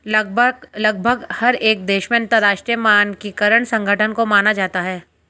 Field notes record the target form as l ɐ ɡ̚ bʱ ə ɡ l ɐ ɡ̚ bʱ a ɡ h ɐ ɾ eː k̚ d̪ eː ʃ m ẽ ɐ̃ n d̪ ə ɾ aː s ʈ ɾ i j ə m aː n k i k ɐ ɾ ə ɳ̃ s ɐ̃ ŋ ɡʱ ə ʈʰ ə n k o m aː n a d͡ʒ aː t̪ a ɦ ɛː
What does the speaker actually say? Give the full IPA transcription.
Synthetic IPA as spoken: l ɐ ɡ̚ bʱ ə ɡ l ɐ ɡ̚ bʱ ə ɡ h ɐ ɾ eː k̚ d̪ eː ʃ m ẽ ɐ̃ n t̪ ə ɾ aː ʃ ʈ ɾ i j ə m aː n k i k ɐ ɾ ə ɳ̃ s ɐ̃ ŋ ɡʱ ə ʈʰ ə n k o m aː n a d͡ʒ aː t̪ a ɦ ɛː